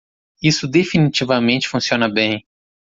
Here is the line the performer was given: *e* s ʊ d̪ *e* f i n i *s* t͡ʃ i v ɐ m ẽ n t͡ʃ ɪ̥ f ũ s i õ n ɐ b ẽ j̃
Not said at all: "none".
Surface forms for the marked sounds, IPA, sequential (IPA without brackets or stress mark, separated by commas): i, e, none